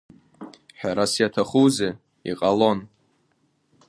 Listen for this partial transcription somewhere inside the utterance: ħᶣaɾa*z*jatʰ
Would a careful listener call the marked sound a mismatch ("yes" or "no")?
yes